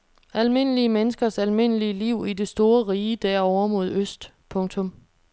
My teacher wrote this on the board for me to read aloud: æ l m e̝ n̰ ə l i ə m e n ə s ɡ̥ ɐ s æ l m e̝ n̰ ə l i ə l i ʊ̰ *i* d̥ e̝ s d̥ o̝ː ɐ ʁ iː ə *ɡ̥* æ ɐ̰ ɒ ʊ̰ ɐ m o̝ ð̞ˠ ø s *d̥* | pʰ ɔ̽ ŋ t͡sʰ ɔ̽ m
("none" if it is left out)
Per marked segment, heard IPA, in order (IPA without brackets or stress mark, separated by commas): i, d̥, d̥